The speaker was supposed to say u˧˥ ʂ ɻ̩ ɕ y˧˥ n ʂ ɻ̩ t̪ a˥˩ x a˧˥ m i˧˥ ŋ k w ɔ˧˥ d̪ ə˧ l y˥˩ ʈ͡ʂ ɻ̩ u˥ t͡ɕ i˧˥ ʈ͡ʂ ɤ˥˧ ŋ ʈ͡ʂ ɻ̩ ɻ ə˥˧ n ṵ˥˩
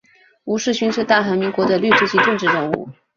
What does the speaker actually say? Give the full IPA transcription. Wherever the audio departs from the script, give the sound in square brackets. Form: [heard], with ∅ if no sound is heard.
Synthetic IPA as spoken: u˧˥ ʂ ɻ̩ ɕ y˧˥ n ʂ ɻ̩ t̪ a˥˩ x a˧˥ m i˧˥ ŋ k w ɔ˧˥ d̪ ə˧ l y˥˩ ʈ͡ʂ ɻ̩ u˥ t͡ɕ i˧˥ ʈ͡ʂ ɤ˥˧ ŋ ʈ͡ʂ ɻ̩ ɻ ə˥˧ [ŋ] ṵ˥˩